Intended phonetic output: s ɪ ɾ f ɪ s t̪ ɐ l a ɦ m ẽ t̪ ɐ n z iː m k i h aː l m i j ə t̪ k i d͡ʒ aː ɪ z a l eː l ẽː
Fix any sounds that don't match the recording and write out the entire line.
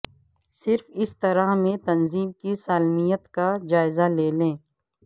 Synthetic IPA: s ɪ ɾ f ɪ s t̪ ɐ ɾ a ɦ m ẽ t̪ ɐ n z iː m k i s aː l m i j ə t̪ k a d͡ʒ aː ɪ z a l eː l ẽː